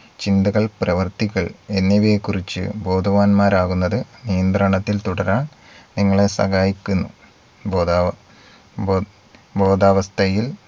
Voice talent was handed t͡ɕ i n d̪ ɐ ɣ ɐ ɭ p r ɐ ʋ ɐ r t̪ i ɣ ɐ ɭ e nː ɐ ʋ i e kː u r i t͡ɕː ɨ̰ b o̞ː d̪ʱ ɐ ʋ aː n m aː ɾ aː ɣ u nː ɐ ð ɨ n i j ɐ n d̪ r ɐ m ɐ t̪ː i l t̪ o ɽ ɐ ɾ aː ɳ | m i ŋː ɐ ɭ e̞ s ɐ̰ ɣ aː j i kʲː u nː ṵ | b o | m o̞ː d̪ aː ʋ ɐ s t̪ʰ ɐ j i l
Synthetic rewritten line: t͡ɕ i n d̪ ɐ ɣ ɐ ɭ p r ɐ ʋ ɐ r t̪ i ɣ ɐ ɭ e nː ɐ ʋ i e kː u r i t͡ɕː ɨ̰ b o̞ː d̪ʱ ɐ ʋ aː n m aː ɾ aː ɣ u nː ɐ ð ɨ n i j ɐ n d̪ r ɐ ɳ ɐ t̪ː i l t̪ u ɽ ɐ ɾ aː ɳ | n i ŋː ɐ ɭ e̞ s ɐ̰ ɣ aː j i kʲː u nː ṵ | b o | b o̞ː d̪ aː ʋ ɐ s t̪ʰ ɐ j i l